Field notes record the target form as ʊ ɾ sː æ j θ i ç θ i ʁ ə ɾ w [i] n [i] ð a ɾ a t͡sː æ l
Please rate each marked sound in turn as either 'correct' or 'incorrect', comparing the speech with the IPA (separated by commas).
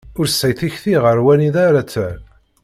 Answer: incorrect, correct